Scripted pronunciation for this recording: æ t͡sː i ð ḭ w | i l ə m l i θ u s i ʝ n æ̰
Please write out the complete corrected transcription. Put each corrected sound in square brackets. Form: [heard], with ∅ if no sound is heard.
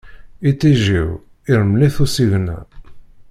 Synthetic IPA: [i] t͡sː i [ʒ] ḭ w | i [ɾ] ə m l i θ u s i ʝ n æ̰

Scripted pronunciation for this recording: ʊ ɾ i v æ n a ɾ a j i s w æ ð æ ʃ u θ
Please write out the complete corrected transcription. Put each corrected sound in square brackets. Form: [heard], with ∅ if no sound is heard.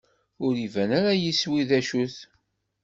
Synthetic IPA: ʊ ɾ i v æ n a ɾ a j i s w [i] ð æ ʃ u θ

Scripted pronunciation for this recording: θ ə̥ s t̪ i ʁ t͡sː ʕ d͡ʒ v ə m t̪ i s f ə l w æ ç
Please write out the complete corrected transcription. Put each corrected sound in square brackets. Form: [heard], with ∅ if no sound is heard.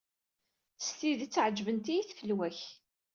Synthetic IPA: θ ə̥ s t̪ i [ð] t͡sː ʕ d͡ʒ v ə [n] t̪ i [θ] f ə l w æ ç

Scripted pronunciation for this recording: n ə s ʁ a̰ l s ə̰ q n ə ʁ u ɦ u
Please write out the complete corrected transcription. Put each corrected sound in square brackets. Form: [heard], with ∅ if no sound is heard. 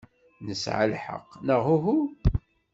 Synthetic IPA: n ə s [ʕ] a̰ l [ħ] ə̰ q n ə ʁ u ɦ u

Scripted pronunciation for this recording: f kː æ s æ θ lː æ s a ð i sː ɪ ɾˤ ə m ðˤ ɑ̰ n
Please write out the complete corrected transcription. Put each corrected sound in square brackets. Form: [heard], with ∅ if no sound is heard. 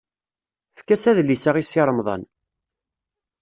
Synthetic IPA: f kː æ s æ [ð] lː [i] s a [ʁ] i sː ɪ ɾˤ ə m ðˤ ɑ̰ n

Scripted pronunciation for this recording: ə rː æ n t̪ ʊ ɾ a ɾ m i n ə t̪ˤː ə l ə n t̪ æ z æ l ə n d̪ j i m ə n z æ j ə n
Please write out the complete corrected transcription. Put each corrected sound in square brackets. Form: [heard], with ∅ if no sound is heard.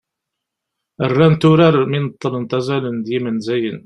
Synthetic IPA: ə rː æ n t̪ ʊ ɾ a ɾ m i n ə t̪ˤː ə l ə n t̪ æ z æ l ə n d̪ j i m ə n z æ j ə n

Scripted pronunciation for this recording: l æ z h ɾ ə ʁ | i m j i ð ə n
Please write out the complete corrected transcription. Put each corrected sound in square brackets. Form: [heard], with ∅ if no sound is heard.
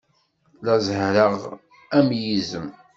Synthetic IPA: l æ z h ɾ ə ʁ | [æ] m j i [z] ə [m]

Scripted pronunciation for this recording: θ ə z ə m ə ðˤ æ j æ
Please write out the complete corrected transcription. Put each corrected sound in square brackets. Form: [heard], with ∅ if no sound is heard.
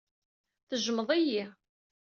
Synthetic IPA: θ ə [ʒ] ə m ə ðˤ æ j [i]

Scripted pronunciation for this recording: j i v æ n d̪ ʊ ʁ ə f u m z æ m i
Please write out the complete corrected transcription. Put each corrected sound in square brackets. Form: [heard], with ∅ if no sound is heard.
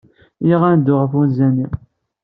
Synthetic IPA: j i [ʁ] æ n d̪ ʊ ʁ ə f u [n] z æ [n] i

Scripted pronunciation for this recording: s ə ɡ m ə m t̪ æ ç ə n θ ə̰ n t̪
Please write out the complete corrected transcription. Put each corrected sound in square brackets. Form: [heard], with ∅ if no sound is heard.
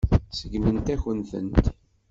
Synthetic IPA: s ə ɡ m ə [n] t̪ æ ç ə n θ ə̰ n t̪

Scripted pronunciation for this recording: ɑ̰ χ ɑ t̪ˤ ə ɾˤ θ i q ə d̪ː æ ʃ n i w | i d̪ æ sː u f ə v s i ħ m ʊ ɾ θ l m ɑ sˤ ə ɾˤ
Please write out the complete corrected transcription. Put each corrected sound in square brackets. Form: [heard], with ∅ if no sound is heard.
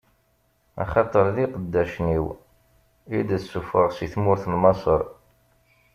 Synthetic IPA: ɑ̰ χ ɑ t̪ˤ ə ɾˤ [ð] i q ə d̪ː æ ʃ n i w | i d̪ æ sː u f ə [ʁ] s i [θ] m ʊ ɾ θ l m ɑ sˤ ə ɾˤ

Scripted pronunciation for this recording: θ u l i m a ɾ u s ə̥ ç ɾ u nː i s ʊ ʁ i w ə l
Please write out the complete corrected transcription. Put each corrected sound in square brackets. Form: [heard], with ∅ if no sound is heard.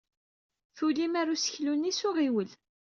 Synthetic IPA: θ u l i m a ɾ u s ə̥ ç [l] u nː i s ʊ ʁ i w ə l

